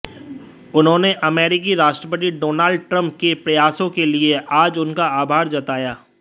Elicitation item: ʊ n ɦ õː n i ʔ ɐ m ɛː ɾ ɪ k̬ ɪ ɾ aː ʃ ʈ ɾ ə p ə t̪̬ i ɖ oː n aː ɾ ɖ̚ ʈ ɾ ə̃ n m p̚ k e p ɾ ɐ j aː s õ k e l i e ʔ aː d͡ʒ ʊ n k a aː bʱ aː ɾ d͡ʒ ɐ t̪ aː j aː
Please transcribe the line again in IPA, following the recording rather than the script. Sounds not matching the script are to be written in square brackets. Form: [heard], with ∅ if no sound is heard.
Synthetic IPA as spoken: ʊ n ɦ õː n [e] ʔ ɐ m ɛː ɾ ɪ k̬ [i] ɾ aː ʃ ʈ ɾ ə p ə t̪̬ i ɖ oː n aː [l] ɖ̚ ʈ ɾ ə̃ [∅] m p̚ k e p ɾ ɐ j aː s õ k e l i e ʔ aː d͡ʒ ʊ n k a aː bʱ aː ɾ d͡ʒ ɐ t̪ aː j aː